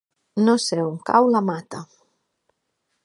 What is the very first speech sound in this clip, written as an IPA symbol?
n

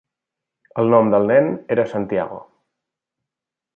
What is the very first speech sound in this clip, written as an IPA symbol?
ə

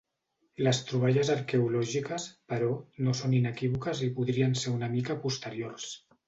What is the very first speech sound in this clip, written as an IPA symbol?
l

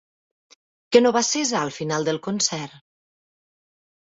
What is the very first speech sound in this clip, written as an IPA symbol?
k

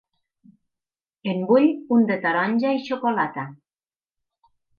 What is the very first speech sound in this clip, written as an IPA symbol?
e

